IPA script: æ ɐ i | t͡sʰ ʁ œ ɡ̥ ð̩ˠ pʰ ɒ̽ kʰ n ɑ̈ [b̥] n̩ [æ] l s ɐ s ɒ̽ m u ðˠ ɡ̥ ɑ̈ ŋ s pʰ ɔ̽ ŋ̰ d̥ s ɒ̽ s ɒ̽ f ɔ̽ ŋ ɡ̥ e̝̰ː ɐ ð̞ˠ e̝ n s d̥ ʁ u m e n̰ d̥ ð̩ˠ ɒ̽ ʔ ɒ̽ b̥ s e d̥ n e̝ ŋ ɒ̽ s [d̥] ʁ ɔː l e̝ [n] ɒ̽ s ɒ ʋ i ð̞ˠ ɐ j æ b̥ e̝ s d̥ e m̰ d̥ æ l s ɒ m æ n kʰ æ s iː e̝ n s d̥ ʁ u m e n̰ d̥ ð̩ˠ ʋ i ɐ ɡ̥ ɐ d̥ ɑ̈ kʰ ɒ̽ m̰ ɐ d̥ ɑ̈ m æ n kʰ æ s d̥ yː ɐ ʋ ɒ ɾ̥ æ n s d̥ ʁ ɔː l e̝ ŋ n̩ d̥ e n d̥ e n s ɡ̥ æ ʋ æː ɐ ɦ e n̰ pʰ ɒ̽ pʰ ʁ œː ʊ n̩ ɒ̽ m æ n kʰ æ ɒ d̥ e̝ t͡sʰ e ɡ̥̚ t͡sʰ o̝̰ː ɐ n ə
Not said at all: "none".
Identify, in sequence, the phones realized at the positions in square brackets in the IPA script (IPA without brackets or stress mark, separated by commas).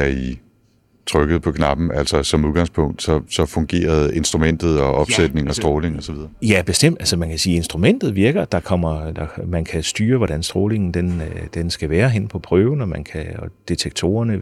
b̥, æ, d̥, ŋ